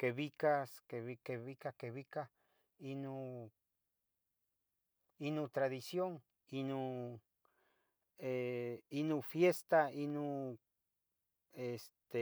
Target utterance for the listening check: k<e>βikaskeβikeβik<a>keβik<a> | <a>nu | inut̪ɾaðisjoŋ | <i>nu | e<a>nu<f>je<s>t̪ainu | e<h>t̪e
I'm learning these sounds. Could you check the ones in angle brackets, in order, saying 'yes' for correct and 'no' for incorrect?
yes, yes, yes, no, yes, no, yes, yes, no

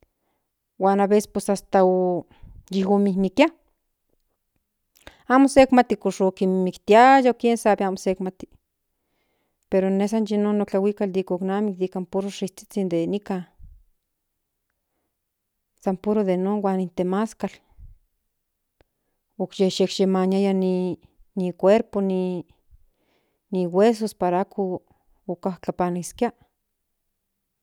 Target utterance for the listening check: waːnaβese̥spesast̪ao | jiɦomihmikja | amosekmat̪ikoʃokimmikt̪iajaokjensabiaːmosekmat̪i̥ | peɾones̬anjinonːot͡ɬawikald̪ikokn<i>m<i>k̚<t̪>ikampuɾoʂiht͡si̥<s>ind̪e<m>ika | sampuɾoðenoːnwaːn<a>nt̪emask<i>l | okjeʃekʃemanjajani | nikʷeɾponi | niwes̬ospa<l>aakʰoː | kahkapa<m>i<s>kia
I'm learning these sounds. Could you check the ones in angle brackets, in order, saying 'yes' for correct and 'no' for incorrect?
no, yes, no, no, no, no, no, no, no, yes

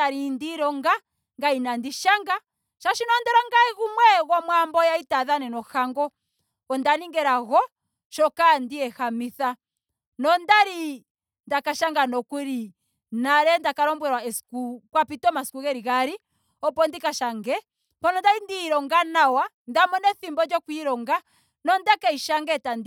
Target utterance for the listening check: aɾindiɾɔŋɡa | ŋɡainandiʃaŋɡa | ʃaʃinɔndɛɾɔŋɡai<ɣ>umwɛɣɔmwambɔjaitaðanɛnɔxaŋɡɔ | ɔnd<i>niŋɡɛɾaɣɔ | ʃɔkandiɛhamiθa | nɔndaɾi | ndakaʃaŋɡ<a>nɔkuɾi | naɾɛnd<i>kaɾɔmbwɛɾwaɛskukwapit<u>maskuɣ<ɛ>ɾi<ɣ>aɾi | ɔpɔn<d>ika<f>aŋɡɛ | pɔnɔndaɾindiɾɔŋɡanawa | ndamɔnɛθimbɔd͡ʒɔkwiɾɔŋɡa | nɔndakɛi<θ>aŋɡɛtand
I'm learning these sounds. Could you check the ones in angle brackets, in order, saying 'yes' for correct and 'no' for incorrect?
yes, no, yes, no, no, yes, yes, yes, no, no

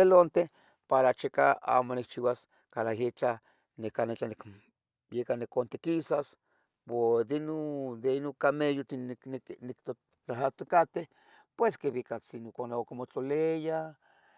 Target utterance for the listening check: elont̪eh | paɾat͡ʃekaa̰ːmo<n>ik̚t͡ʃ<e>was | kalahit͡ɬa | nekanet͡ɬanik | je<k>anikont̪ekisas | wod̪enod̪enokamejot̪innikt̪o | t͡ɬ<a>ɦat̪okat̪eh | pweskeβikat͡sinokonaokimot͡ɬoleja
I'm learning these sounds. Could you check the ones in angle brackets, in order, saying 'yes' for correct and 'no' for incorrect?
yes, no, yes, yes

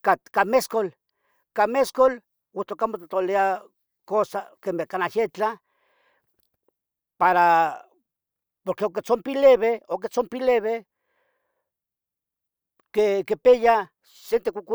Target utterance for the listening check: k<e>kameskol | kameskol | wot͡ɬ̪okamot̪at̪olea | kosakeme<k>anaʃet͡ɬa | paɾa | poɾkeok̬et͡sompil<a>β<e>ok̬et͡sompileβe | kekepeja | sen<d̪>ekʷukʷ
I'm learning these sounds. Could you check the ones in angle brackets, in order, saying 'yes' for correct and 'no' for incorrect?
no, yes, no, yes, no

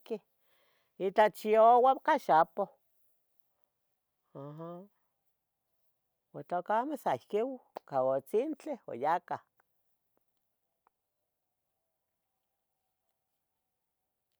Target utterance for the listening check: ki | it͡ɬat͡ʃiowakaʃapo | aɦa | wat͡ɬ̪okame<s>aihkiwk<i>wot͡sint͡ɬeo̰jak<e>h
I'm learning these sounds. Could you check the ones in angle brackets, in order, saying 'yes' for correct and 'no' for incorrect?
yes, no, no

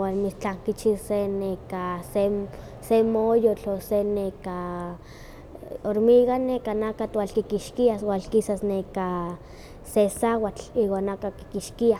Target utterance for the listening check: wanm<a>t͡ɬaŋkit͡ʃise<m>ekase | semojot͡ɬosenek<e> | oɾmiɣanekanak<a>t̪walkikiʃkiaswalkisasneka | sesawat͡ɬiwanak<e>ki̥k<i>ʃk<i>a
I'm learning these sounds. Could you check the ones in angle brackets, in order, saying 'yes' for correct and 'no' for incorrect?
no, no, no, yes, no, yes, yes

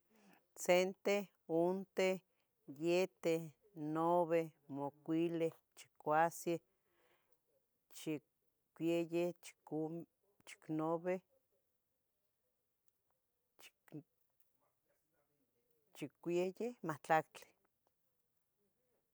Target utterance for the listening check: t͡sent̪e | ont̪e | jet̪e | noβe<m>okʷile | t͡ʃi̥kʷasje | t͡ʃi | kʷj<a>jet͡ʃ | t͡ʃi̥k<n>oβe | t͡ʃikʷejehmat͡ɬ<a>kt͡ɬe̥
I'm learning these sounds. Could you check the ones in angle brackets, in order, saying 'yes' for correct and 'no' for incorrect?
yes, no, yes, yes

